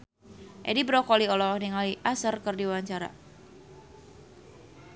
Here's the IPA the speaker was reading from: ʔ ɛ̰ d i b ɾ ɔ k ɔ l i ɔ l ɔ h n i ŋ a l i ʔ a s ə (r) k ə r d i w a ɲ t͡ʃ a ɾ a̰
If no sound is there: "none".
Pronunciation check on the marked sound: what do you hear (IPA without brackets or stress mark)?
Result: r